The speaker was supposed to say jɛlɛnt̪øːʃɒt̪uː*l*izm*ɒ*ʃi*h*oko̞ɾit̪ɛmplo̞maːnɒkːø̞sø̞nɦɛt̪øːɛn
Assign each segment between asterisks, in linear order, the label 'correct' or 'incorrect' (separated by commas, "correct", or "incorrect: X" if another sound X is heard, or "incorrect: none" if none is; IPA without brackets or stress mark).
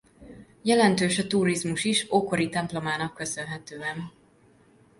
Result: incorrect: ɾ, incorrect: u, incorrect: ʃ